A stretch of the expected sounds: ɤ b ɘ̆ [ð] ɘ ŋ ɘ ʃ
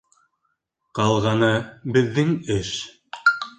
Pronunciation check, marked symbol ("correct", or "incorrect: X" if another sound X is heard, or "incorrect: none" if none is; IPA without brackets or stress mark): incorrect: ðː